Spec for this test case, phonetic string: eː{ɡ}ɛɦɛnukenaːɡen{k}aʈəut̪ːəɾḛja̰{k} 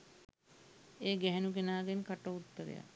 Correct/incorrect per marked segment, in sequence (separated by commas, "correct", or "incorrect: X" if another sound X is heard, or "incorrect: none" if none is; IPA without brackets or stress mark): correct, correct, incorrect: none